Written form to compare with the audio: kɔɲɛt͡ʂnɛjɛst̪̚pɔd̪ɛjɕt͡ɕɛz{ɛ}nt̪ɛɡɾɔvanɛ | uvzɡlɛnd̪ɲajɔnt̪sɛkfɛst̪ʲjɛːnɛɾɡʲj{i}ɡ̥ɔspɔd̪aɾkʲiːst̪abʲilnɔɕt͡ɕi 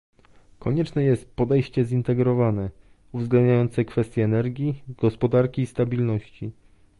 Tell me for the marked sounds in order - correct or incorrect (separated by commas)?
incorrect, correct